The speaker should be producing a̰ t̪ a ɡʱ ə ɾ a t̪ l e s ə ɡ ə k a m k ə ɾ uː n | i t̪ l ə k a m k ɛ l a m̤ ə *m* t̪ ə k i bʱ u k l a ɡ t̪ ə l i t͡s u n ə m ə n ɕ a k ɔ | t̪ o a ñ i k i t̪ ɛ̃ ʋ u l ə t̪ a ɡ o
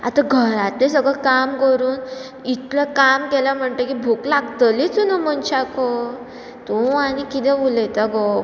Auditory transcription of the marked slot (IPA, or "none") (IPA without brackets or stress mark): ɳ